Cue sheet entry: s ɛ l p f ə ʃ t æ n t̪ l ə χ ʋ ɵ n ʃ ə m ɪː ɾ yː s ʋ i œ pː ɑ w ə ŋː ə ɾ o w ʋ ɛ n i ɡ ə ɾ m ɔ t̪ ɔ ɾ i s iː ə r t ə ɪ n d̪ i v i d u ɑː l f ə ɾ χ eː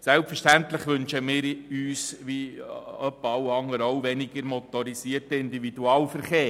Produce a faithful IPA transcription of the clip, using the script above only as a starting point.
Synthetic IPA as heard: s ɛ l p f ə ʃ t æ n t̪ l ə χ ʋ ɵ n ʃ ə m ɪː ɾ yː s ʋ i œ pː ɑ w ɑ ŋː ə ɾ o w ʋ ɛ n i ɡ ə ɾ m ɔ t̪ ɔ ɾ i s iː ə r t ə ɪ n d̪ i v i d u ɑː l f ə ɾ χ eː